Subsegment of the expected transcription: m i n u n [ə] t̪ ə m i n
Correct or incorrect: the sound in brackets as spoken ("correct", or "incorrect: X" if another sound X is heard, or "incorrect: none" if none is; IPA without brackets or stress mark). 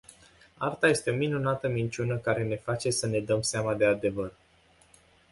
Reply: incorrect: a